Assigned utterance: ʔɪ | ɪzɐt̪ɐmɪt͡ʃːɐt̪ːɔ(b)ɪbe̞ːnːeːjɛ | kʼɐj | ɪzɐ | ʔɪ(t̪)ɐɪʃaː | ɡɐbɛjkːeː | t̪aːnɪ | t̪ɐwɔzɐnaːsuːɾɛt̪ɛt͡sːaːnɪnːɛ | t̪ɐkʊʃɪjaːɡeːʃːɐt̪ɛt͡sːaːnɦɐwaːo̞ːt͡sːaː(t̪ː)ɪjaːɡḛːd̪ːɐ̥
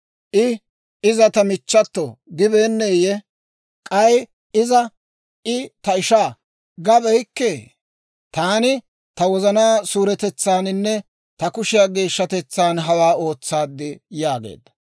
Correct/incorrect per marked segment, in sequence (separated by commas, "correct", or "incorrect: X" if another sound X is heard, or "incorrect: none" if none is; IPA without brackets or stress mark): incorrect: ɡ, correct, incorrect: d̪ː